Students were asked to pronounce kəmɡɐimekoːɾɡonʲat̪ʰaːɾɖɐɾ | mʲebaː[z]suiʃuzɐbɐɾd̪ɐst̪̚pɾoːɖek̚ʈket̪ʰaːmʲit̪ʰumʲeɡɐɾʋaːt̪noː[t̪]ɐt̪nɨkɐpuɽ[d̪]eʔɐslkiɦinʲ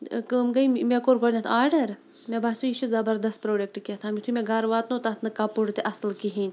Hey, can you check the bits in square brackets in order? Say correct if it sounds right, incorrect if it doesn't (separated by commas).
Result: incorrect, correct, incorrect